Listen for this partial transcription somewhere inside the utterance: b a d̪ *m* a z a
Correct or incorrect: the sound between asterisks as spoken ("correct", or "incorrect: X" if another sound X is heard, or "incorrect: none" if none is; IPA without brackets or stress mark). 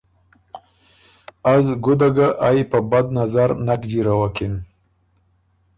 incorrect: n